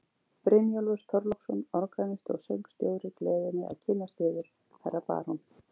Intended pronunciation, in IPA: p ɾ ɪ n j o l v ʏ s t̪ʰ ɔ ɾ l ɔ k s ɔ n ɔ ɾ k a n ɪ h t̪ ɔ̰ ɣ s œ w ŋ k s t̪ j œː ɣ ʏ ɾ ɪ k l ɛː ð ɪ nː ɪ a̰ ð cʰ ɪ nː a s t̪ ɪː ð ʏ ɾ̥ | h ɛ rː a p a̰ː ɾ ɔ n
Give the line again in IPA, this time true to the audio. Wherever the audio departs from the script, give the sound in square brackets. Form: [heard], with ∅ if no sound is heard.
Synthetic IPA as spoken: p ɾ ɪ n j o l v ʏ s t̪ʰ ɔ ɾ l ɔ k s ɔ n ɔ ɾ k a n ɪ [s] t̪ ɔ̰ ɣ s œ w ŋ k s t̪ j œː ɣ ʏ ɾ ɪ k l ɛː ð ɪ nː ɪ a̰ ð cʰ ɪ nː a s t̪ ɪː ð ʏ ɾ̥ | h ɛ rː a p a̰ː ɾ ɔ n